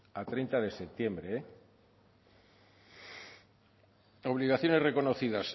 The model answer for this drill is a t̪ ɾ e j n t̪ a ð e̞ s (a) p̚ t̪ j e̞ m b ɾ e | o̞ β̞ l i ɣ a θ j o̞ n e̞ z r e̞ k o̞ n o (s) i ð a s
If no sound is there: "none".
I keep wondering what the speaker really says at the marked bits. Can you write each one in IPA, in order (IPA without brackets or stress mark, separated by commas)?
e, θ